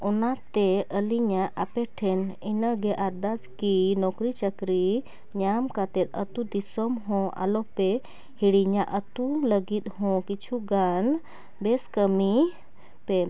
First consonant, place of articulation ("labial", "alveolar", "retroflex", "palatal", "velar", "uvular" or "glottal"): alveolar